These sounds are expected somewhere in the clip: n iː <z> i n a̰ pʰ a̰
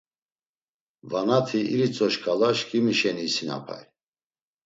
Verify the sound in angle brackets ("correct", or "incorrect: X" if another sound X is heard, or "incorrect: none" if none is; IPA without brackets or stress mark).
incorrect: s